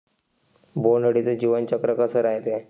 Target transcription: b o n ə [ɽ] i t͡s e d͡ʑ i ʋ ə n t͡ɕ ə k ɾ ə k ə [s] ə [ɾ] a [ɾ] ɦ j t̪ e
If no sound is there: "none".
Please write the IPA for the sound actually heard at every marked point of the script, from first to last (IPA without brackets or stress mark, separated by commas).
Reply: ɽ, s, ɾ, none